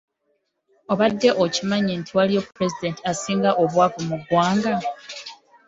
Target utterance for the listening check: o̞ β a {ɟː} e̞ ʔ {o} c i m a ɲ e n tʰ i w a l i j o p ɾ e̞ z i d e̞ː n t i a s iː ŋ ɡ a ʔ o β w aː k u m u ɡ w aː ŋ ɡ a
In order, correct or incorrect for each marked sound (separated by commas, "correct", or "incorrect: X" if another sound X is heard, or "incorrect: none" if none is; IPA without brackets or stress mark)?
incorrect: dː, correct